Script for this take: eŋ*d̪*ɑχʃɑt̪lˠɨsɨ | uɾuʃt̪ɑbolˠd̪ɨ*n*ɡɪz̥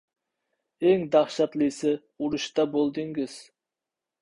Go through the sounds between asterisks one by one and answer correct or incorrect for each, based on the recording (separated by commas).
correct, incorrect